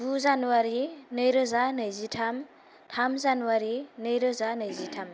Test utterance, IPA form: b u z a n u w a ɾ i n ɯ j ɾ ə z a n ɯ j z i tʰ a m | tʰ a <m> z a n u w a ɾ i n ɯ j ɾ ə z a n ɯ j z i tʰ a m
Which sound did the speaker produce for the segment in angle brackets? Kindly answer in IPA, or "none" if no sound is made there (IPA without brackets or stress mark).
m